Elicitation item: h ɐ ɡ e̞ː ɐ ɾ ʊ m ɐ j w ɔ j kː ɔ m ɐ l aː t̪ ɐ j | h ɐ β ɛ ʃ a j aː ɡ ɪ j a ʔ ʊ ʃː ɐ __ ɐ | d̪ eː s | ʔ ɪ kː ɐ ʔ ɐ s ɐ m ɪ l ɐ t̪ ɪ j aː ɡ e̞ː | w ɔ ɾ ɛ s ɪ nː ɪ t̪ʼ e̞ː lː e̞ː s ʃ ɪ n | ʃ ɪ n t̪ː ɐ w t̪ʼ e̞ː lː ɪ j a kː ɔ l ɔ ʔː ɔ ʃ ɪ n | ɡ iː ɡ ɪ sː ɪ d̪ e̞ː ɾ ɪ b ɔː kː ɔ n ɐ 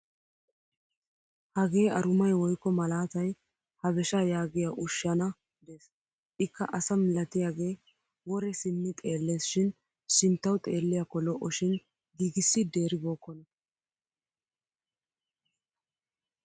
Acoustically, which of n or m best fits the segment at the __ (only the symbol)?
n